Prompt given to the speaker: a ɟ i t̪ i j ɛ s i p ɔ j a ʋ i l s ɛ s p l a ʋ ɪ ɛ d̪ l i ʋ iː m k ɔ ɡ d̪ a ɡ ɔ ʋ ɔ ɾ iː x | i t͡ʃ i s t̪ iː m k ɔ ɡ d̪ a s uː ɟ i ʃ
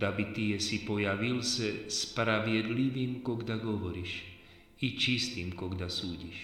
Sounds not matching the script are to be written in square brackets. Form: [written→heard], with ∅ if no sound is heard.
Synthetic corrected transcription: a [ɟ→b] i t̪ i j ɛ s i p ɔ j a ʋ i l s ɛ s p [l→ɾ] a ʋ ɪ ɛ d̪ l i ʋ iː m k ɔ ɡ d̪ a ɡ ɔ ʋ ɔ ɾ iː [x→ʃ] | i t͡ʃ i s t̪ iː m k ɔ ɡ d̪ a s uː ɟ i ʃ